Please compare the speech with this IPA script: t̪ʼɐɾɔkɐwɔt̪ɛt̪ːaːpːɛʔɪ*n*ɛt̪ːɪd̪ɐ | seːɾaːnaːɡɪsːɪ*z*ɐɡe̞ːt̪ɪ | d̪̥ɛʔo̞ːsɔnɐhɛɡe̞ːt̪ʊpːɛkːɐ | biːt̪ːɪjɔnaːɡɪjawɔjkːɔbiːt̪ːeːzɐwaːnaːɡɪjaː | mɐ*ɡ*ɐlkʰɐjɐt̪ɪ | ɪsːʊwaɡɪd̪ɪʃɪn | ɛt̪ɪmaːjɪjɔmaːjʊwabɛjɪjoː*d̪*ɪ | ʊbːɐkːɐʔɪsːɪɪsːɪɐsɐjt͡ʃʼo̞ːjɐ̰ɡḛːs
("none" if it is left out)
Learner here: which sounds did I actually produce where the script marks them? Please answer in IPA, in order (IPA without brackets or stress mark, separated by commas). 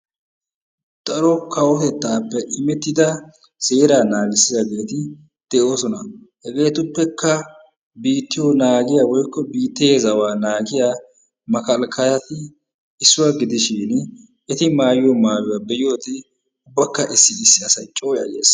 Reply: m, z, k, t̪